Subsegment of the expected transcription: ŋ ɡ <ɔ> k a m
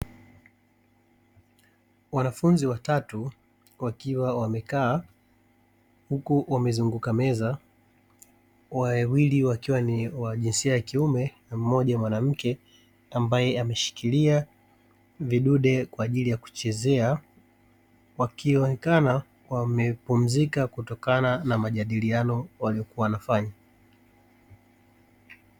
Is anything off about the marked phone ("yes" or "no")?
yes